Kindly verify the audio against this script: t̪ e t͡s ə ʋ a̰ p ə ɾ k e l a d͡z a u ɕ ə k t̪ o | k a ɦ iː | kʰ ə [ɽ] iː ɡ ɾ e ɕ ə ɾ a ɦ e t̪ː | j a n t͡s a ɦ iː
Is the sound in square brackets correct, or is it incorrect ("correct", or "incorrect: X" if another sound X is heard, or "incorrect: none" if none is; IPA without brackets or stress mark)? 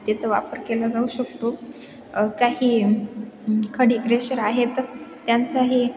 correct